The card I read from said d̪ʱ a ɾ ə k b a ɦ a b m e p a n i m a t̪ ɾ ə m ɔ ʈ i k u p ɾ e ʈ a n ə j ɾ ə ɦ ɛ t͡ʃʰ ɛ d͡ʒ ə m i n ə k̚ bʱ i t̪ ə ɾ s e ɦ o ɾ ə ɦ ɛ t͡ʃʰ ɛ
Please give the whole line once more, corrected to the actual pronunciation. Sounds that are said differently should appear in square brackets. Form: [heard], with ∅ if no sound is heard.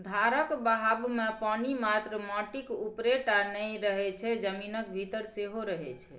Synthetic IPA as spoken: d̪ʱ a ɾ ə k b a ɦ a b m e p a n i m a t̪ ɾ ə m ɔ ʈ i k u p ɾ e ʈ a n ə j ɾ ə ɦ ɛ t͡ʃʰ ɛ d͡ʒ ə m i n ə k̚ bʱ i t̪ ə ɾ s e ɦ o ɾ ə ɦ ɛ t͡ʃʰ ɛ